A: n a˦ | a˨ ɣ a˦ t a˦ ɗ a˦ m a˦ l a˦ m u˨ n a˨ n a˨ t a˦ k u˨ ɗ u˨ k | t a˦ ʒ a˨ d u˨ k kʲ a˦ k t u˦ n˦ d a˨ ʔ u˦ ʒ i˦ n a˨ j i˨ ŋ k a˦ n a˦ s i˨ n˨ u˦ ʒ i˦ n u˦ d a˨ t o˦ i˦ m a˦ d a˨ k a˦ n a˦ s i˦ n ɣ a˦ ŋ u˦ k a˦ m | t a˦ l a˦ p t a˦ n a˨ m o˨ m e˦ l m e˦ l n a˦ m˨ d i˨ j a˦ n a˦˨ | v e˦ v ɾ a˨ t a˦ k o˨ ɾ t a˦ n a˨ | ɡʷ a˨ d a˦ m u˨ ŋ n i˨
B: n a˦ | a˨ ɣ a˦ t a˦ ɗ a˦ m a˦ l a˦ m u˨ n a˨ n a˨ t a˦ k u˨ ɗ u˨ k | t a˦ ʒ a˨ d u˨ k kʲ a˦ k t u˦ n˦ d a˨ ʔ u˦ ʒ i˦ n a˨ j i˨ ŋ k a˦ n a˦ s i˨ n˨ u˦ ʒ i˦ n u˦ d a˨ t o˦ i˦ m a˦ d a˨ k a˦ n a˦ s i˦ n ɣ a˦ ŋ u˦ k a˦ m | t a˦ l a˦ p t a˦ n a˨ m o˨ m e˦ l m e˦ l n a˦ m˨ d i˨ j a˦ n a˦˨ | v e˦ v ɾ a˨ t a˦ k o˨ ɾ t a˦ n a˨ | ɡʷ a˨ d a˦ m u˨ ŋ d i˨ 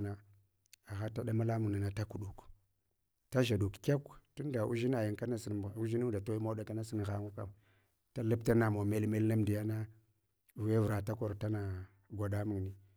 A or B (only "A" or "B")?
A